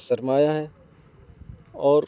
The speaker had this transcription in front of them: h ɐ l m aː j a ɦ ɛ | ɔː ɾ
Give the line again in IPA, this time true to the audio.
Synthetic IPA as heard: s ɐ ɾ m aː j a ɦ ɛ | ɔː ɾ